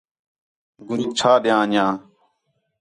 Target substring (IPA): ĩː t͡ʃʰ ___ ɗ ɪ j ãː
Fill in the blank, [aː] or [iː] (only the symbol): aː